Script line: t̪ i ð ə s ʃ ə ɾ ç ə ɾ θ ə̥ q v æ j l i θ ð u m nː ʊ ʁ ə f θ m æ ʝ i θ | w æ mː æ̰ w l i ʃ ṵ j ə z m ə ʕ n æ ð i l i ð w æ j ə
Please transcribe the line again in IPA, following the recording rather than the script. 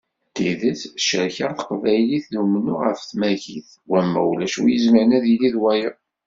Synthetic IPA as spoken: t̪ i ð ə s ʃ ə ɾ ç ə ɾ θ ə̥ q v æ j l i θ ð u m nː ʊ ʁ ə f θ m æ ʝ i θ | w æ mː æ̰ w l æ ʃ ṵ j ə z m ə ʕ n æ ð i l i ð w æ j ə